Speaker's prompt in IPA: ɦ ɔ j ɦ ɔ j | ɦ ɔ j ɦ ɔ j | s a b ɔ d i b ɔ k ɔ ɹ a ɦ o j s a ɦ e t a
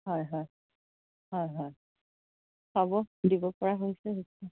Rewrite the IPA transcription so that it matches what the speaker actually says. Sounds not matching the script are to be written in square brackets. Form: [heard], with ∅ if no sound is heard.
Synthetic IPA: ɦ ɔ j ɦ ɔ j | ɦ ɔ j ɦ ɔ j | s a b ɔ d i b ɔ [p] ɔ ɹ a ɦ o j s [ɛ] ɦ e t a